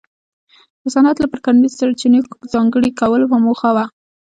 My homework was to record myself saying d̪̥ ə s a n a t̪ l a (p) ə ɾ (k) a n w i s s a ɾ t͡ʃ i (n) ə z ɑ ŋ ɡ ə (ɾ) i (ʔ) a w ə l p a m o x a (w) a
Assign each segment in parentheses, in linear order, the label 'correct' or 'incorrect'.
correct, correct, correct, incorrect: ɽ, incorrect: k, correct

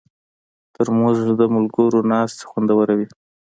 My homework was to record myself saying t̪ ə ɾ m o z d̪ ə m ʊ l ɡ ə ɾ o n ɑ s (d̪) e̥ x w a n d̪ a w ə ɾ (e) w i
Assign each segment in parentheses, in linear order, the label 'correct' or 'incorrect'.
incorrect: t̪, incorrect: a

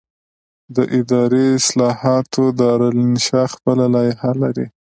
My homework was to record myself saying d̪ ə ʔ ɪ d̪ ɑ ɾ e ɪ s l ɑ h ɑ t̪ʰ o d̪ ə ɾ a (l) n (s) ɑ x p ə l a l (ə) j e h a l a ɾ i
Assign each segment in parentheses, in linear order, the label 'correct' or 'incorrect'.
correct, incorrect: ʃ, incorrect: ɑ

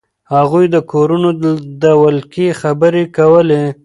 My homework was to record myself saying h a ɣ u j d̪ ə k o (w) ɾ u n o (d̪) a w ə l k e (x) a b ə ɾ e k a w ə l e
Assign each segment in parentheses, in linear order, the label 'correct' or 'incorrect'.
incorrect: none, correct, correct

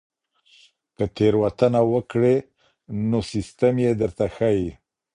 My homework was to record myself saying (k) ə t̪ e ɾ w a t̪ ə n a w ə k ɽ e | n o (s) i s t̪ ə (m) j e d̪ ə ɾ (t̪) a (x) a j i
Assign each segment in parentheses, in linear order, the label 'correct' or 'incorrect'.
correct, correct, correct, correct, correct

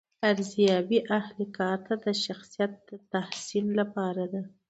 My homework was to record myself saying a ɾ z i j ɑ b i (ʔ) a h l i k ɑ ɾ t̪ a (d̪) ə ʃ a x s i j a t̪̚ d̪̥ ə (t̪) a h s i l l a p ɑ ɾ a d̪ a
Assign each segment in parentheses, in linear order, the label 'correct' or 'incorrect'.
correct, correct, correct

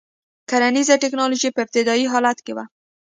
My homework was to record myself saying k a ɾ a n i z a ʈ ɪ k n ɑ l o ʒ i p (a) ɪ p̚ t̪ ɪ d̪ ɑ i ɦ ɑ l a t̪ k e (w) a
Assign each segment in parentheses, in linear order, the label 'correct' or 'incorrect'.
incorrect: ə, correct

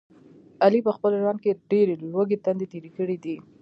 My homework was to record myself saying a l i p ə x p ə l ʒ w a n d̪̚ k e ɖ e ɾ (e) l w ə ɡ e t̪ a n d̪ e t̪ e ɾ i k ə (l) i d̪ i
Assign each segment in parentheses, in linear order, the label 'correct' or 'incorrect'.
correct, incorrect: ɽ

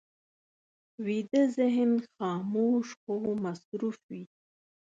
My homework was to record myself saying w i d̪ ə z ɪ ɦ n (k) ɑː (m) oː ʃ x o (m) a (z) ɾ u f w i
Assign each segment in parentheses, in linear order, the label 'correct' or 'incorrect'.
incorrect: x, correct, correct, incorrect: s

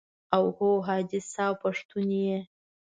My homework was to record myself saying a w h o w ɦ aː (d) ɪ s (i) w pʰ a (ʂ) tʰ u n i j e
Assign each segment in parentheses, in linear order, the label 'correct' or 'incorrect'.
correct, incorrect: a, correct

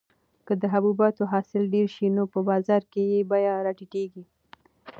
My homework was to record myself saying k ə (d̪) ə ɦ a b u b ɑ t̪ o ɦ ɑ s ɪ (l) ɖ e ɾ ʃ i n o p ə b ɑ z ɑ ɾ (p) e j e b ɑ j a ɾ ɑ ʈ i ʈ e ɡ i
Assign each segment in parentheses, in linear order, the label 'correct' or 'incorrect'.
correct, correct, incorrect: k

